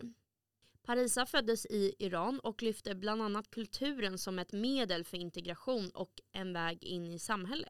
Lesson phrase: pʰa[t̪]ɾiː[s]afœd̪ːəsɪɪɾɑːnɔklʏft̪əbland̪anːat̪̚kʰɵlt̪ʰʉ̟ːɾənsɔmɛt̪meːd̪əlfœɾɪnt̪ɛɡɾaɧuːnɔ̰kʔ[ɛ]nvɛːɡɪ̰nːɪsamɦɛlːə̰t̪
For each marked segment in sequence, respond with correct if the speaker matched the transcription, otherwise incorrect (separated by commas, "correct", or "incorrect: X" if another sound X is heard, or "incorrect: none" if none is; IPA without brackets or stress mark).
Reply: incorrect: none, correct, correct